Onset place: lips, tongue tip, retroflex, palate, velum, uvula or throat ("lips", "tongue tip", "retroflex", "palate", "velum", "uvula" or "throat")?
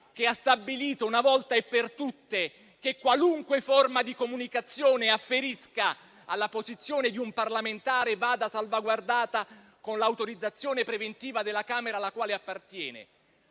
velum